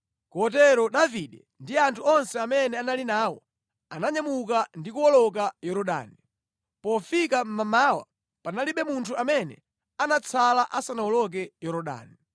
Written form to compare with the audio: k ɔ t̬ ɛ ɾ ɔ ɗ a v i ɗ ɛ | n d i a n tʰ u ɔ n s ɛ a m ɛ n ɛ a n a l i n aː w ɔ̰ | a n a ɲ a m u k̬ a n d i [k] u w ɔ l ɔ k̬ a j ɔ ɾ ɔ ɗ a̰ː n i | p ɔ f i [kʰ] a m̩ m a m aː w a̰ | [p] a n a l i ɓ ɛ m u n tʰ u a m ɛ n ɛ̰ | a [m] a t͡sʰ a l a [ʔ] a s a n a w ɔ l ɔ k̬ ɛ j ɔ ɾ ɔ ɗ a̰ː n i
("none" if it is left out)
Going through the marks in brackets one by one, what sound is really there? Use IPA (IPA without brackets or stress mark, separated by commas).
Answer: k, k, p, n, ʔ